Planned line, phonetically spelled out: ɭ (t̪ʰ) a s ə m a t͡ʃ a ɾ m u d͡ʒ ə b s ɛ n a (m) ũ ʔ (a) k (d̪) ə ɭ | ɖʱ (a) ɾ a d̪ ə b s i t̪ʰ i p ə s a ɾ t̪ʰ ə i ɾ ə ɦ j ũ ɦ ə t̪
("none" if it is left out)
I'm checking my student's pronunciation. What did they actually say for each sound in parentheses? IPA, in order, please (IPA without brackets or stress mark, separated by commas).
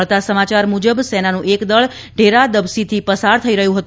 t̪, n, e, d̪, e